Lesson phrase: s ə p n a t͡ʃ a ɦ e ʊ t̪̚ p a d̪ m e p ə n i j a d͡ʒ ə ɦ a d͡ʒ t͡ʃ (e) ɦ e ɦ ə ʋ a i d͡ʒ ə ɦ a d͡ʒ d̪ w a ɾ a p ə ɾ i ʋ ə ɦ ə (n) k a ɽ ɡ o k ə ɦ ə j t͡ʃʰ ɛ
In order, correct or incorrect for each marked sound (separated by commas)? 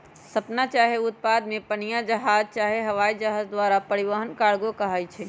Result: incorrect, correct